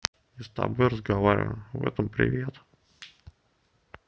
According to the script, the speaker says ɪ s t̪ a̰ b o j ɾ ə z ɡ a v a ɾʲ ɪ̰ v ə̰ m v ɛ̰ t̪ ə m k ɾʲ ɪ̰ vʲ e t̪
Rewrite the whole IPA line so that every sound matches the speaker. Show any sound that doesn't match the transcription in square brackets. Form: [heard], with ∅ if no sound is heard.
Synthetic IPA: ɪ s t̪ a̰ b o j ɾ ə z ɡ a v a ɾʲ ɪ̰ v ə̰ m v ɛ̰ t̪ ə m [p] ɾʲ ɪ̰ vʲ e t̪